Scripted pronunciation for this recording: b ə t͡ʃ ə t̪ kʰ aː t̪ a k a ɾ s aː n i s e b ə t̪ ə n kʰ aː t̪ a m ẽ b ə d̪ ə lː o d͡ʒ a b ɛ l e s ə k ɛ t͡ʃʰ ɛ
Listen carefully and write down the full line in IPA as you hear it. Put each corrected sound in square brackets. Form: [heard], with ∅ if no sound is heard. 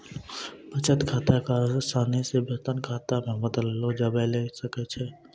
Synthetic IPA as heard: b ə t͡ʃ ə t̪ kʰ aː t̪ a k a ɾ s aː n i s e b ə t̪ ə n kʰ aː t̪ a m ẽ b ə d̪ ə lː o d͡ʒ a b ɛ l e s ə k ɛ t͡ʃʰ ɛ

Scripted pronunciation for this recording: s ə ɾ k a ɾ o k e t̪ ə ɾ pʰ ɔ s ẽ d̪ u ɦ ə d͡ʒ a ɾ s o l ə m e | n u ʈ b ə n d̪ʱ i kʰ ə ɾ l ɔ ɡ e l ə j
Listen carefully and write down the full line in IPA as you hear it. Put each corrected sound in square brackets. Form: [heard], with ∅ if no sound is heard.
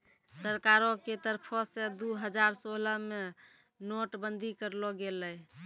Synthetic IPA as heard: s ə ɾ k a ɾ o k e t̪ ə ɾ pʰ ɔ s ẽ d̪ u ɦ ə d͡ʒ a ɾ s o l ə m e | n [o] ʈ b ə n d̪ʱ i [k] ə ɾ l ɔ ɡ e l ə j

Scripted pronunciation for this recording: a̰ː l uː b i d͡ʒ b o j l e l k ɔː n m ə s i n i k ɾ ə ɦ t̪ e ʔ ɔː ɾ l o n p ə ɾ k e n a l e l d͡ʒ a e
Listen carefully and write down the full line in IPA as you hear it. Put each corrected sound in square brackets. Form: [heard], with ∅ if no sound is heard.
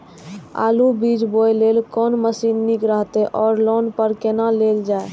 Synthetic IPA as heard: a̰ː l [u] b i d͡ʒ b o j l e l k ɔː n m ə s i [nː] i k ɾ ə ɦ t̪ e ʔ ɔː ɾ l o n p ə ɾ k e n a l e l d͡ʒ a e

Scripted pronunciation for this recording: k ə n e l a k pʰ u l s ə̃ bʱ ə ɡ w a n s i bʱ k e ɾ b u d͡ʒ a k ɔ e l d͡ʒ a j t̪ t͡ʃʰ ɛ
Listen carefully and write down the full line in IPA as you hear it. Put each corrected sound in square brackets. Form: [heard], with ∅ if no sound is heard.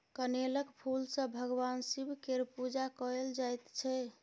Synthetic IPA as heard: k ə n e l [ə] k pʰ u l s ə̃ bʱ ə ɡ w a n s i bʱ k e ɾ [p] u d͡ʒ a k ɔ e l d͡ʒ a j t̪ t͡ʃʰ ɛ

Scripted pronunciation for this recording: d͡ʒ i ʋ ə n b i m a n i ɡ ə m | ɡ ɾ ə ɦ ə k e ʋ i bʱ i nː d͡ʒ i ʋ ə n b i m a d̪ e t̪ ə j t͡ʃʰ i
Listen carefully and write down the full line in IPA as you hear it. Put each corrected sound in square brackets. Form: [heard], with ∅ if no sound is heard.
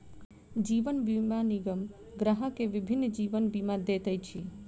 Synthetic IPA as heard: d͡ʒ i ʋ ə n b i m a n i ɡ ə m | ɡ ɾ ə ɦ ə k e ʋ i bʱ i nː d͡ʒ i ʋ ə n b i m a d̪ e t̪ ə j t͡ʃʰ i

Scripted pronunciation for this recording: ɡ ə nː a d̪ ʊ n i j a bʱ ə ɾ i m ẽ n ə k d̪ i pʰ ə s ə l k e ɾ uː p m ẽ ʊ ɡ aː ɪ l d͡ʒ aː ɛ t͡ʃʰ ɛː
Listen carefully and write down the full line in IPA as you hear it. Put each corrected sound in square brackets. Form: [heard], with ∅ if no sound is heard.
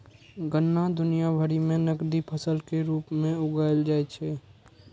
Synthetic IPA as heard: ɡ ə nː a d̪ ʊ n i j a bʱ ə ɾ i m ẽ n ə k d̪ i pʰ ə s ə l k e ɾ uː p m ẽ ʊ ɡ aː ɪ l d͡ʒ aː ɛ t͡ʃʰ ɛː

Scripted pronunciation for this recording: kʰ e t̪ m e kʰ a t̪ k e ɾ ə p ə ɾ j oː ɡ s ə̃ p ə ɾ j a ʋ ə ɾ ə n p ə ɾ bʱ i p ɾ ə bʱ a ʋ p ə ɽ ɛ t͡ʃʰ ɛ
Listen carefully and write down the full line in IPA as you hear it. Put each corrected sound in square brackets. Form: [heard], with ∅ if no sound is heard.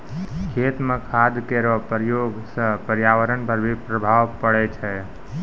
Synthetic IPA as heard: kʰ e t̪ m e kʰ a [d̪] k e ɾ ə p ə ɾ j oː ɡ s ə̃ p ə ɾ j a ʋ ə ɾ ə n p ə ɾ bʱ i p ɾ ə bʱ a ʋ p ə ɽ ɛ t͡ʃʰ ɛ

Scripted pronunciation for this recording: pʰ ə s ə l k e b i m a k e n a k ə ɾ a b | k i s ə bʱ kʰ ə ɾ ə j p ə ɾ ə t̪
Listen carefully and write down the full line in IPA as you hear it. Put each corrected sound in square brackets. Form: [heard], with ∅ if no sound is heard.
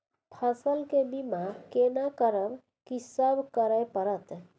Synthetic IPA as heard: pʰ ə s ə l k e b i m a k e n a k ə ɾ [ə] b | k i s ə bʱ [k] ə ɾ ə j p ə ɾ ə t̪

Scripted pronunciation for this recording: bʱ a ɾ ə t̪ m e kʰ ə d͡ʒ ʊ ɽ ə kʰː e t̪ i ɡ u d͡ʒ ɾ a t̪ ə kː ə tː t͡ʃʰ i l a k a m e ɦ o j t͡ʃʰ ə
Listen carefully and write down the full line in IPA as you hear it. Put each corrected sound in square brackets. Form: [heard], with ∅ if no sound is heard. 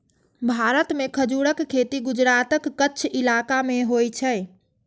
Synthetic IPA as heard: bʱ a ɾ ə t̪ m e kʰ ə d͡ʒ [u] ɽ ə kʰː e t̪ i ɡ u d͡ʒ ɾ a t̪ ə kː ə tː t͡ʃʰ i l a k a m e ɦ o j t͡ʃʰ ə

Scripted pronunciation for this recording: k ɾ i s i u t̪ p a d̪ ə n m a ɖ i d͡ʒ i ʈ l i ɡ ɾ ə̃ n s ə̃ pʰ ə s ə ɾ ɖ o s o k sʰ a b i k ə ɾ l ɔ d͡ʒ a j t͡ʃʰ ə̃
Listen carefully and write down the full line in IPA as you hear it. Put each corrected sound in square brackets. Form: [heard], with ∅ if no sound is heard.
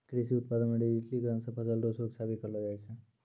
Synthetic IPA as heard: k ɾ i s i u t̪ p a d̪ ə n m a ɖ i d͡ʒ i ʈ l i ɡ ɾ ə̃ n s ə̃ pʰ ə s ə [l] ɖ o s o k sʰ a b i k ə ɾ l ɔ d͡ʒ a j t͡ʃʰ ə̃

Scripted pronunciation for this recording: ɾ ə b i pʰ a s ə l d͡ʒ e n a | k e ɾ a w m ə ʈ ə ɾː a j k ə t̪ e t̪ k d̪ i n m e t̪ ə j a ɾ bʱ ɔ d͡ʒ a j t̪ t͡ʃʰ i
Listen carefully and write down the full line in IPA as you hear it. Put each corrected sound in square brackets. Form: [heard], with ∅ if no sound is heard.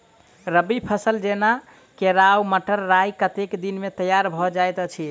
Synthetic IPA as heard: ɾ ə b i pʰ [ə] s ə l d͡ʒ e n a | k e ɾ a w m ə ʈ ə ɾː a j k ə t̪ e [∅] k d̪ i n m e t̪ ə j a ɾ bʱ ɔ d͡ʒ a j t̪ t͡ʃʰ i

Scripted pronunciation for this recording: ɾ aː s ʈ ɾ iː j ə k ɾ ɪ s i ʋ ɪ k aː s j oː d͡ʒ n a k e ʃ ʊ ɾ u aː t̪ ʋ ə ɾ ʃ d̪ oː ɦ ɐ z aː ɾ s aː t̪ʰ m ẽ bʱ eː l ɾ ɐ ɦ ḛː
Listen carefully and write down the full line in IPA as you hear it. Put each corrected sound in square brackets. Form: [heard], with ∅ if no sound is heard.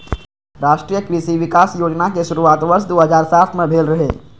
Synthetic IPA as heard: ɾ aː [ʃ] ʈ ɾ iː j ə k ɾ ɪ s i ʋ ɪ k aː s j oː d͡ʒ n a k e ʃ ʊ ɾ u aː t̪ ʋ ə ɾ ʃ d̪ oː ɦ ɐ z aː ɾ s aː t̪ʰ m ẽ bʱ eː l ɾ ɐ ɦ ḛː

